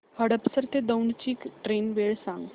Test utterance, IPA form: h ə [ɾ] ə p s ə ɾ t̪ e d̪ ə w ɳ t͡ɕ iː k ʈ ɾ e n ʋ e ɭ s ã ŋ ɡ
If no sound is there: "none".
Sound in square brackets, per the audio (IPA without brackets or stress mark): ɽ